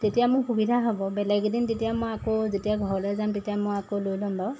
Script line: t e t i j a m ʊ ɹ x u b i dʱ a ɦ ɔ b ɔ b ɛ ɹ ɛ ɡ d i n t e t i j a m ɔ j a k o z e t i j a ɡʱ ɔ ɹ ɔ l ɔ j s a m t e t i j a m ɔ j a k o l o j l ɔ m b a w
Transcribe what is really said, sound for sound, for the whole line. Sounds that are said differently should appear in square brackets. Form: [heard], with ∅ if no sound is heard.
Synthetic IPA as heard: t e t i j a m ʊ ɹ x u b i dʱ a ɦ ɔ b ɔ b ɛ [l] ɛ ɡ d i n t e t i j a m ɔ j a k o z e t i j a ɡʱ ɔ ɹ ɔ l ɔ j [z] a m t e t i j a m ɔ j a k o l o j l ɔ m b a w